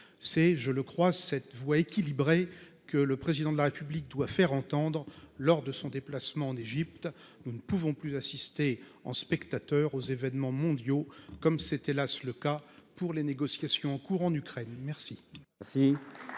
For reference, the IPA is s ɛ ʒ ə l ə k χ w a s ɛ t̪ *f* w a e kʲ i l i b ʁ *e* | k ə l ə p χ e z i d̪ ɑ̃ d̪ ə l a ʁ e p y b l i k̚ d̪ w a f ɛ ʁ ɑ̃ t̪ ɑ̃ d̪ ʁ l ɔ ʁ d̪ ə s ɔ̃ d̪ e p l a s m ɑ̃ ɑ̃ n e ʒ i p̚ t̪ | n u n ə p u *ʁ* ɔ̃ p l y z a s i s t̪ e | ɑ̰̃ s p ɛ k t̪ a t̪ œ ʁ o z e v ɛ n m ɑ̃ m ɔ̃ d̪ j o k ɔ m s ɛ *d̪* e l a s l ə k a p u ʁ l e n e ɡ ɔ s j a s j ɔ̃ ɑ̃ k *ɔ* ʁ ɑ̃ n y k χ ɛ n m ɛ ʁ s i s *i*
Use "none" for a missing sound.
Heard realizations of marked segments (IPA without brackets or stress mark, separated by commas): v, e, v, t̪, u, i